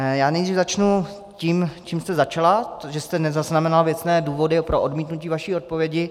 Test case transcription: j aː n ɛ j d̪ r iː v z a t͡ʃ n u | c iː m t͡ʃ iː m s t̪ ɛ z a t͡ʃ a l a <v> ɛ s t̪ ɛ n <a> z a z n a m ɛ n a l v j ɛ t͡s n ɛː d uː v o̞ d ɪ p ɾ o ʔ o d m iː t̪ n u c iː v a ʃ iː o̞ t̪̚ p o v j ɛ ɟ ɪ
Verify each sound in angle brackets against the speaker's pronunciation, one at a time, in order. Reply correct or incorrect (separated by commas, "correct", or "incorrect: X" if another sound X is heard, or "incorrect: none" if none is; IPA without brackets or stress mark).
incorrect: ʒ, incorrect: ɛ